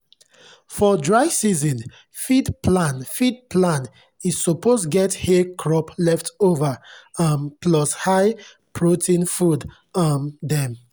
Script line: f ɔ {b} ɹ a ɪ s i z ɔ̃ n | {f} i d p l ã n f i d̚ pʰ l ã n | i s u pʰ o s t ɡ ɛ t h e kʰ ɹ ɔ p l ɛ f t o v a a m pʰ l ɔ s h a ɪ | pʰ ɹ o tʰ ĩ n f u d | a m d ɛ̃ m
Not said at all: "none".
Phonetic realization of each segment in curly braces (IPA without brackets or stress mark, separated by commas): d, f